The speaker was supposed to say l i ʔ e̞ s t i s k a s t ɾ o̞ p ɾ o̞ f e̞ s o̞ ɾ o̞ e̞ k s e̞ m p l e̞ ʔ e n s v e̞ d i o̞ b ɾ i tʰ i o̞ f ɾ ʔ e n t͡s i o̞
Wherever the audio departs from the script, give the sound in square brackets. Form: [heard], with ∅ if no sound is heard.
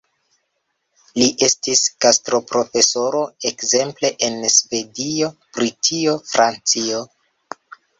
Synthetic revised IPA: l i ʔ e̞ s t i s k a s t ɾ o̞ p ɾ o̞ f e̞ s o̞ ɾ o̞ e̞ k [z] e̞ m p l e̞ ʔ e n s v e̞ d i o̞ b ɾ i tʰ i o̞ f ɾ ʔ [a] n t͡s i o̞